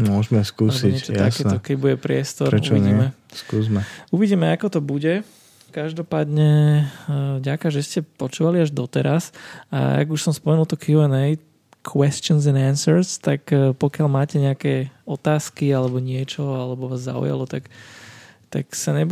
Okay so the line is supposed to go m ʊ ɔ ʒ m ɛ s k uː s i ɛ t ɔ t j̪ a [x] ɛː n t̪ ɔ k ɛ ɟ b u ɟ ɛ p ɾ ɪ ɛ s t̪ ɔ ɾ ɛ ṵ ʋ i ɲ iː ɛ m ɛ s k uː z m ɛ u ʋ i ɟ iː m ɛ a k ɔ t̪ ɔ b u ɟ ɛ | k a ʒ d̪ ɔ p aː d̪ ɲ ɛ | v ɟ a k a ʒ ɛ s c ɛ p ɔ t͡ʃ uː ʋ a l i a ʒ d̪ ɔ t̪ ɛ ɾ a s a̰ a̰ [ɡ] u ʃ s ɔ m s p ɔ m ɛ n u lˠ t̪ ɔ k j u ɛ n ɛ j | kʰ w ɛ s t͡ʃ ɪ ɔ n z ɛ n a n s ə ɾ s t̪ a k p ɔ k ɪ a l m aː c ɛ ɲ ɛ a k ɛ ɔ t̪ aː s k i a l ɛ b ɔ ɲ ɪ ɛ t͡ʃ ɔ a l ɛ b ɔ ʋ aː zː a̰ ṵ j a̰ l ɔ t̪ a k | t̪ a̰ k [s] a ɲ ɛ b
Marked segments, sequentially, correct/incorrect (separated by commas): incorrect, correct, correct